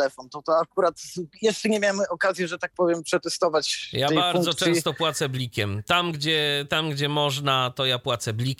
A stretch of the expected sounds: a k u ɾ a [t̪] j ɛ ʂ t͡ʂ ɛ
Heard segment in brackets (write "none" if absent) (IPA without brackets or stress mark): t̪